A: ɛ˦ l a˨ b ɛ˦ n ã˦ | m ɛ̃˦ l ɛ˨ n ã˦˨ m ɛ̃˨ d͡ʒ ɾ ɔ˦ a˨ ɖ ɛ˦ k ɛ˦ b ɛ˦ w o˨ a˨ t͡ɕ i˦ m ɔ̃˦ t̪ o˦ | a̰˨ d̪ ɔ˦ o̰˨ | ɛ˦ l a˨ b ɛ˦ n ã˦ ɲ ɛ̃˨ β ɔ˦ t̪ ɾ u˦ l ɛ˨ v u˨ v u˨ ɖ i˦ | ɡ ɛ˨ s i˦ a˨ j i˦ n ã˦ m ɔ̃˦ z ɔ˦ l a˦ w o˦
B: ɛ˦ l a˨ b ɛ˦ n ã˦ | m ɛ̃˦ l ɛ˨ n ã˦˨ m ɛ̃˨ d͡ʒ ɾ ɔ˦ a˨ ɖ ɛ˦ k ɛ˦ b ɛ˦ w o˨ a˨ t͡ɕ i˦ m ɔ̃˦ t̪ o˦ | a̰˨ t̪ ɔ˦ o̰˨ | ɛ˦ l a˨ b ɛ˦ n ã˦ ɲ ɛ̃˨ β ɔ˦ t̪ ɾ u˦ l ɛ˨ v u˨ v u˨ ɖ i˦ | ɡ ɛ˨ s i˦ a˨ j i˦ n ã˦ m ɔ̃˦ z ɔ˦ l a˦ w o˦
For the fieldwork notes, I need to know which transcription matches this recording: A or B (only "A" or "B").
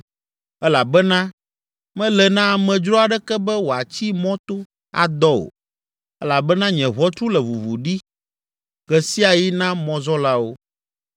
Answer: A